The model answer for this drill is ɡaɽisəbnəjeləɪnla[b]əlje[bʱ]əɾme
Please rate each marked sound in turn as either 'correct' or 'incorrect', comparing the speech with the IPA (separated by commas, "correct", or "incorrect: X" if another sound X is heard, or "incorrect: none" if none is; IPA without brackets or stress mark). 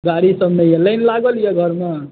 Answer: incorrect: ɡ, incorrect: ɡʱ